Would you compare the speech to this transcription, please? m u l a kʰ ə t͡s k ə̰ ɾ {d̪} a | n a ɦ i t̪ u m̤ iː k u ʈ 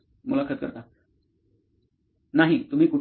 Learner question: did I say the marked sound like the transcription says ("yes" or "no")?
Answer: no